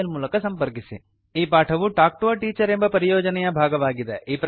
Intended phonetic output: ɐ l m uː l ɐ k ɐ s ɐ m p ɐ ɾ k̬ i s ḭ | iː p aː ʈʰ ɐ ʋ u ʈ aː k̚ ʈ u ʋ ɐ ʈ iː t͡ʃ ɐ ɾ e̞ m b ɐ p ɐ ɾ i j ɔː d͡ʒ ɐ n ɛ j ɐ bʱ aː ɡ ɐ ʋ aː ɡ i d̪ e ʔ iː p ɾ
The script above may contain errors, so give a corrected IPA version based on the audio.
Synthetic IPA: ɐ l m uː l ɐ k ɐ s ɐ m p ɐ ɾ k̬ i s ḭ | iː p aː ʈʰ ɐ ʋ u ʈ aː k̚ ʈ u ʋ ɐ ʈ iː t͡ʃ ɐ ɾ e̞ m b ɐ p ɐ ɾ i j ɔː d͡ʒ ɐ n ɛ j ɐ bʱ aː ɡ ɐ ʋ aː ɡ i d̪ e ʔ iː p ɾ